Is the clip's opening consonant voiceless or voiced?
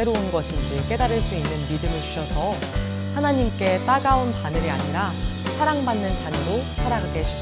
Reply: voiced